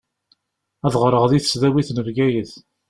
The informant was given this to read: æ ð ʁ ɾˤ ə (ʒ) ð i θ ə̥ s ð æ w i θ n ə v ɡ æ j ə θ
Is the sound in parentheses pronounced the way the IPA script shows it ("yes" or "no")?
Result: no